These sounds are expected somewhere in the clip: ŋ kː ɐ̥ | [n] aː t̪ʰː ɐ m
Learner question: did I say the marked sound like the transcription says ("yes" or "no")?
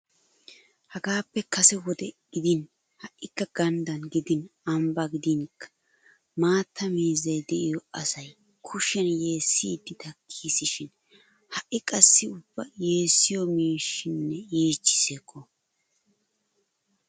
no